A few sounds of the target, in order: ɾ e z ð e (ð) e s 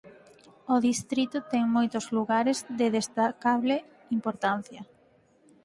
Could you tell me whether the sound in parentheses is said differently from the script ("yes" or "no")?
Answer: no